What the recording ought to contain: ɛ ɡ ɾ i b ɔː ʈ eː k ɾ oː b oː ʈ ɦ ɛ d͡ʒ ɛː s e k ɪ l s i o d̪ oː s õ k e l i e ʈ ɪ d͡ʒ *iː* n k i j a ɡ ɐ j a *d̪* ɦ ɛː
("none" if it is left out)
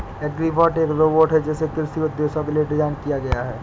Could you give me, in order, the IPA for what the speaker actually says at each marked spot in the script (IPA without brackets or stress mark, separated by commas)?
aː, none